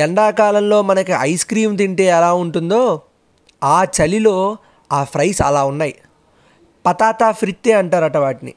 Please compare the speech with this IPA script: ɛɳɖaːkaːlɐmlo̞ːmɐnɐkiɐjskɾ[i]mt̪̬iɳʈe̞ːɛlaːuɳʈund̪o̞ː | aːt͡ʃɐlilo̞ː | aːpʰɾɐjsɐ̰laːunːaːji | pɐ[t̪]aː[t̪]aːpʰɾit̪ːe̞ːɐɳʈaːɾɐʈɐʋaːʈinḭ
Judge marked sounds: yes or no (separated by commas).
no, yes, yes